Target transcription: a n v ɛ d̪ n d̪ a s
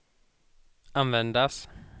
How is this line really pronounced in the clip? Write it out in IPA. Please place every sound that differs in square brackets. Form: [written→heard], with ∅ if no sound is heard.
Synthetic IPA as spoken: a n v ɛ [d̪→∅] n d̪ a s